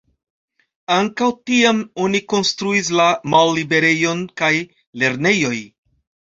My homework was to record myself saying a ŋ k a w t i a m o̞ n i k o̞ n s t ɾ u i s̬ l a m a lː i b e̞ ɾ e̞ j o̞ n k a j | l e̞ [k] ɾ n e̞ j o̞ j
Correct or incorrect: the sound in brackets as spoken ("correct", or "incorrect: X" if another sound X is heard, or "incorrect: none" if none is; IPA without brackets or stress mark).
incorrect: none